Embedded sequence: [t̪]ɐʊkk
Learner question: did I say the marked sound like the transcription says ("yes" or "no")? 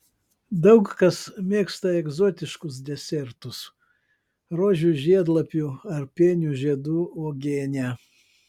no